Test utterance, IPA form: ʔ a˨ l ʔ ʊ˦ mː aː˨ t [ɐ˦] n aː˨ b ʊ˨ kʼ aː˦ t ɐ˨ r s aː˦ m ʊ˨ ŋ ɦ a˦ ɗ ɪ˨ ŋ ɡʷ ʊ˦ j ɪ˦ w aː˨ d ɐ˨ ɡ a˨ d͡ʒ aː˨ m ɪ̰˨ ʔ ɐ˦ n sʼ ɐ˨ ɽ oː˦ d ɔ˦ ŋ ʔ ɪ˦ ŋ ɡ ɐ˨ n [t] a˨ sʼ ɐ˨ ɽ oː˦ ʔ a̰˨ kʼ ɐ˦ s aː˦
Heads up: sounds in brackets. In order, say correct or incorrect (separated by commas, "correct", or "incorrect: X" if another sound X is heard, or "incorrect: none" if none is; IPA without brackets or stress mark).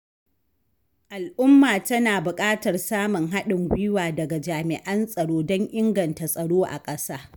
correct, correct